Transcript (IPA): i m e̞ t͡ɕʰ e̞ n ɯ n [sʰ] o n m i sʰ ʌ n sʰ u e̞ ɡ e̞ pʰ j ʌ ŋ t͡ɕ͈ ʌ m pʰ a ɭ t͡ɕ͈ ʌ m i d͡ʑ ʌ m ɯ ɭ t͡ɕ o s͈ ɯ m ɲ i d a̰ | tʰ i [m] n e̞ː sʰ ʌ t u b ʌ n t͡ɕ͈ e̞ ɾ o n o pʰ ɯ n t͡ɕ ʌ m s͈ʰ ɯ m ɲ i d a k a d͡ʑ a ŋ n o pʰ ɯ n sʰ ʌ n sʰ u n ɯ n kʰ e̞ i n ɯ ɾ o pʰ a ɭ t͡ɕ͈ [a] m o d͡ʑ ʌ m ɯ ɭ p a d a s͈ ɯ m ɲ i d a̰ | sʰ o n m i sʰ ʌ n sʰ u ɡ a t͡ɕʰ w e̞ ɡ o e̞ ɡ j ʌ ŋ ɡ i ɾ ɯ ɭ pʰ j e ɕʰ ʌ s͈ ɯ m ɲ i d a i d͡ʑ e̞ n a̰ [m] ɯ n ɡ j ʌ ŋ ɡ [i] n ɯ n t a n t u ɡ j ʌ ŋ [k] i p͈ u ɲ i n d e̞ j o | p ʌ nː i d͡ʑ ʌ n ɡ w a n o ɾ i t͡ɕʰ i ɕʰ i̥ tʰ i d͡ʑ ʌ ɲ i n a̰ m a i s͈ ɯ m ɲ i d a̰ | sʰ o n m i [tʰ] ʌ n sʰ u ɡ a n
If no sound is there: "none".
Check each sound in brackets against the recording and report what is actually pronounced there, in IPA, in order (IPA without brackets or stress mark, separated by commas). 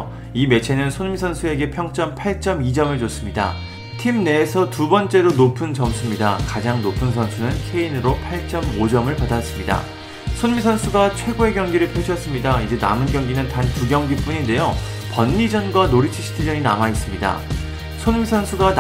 sʰ, m, ʌ, m, i, ɡ, sʰ